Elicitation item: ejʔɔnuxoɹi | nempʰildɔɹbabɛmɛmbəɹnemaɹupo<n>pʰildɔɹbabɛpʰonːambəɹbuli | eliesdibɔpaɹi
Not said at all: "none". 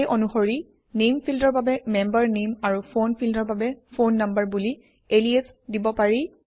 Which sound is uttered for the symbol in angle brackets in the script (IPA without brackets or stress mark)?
n